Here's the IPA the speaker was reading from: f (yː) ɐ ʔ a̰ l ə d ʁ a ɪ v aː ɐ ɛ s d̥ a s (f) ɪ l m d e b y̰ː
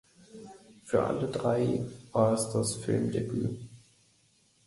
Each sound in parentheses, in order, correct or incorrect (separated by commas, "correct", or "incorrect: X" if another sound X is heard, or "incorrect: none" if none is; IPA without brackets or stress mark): correct, correct